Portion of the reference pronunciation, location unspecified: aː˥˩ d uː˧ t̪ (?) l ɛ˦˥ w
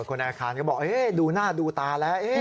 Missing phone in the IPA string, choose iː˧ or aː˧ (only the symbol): aː˧